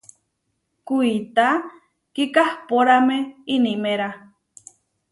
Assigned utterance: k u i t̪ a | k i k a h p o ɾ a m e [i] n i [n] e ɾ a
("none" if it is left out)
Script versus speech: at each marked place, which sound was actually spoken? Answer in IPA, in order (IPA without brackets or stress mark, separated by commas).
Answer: i, m